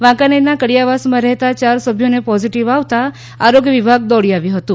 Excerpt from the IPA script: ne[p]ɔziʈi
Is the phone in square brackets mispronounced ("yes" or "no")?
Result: no